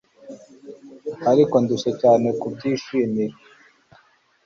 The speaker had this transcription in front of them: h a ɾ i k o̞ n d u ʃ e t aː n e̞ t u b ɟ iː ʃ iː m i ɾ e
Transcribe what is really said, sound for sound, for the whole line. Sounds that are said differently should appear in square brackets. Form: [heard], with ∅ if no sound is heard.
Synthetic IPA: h a ɾ i k o̞ n d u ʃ e [c] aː n e̞ [k] u b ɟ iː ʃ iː m i ɾ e